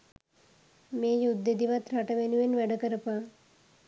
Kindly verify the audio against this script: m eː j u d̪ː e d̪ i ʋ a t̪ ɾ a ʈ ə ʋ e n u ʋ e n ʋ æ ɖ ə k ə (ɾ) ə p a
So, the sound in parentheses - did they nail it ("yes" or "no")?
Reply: yes